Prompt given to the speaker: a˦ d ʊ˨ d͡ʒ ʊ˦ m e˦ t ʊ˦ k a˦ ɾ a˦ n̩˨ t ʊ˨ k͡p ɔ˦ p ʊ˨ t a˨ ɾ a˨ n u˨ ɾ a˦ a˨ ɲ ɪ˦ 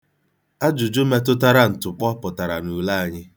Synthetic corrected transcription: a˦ d͡ʒ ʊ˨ d͡ʒ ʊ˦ m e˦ t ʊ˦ t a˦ ɾ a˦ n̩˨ t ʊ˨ k͡p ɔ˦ p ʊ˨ t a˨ ɾ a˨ n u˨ l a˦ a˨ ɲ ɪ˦